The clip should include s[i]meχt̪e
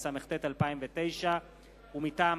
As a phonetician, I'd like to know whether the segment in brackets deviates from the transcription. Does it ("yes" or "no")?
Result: yes